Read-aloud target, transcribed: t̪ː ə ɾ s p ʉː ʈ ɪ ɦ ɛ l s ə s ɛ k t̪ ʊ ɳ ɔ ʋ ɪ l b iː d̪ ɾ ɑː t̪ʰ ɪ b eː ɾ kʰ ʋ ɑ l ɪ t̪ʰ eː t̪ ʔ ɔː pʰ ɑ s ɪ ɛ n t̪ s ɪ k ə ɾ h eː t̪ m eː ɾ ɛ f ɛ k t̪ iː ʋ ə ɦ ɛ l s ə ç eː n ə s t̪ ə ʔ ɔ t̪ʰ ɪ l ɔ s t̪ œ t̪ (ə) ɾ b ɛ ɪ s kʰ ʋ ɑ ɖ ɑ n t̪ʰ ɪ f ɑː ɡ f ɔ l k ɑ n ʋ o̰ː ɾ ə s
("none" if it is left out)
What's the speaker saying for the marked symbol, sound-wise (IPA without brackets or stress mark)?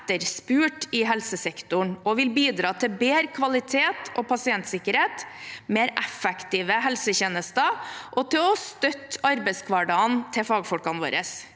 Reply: ɑ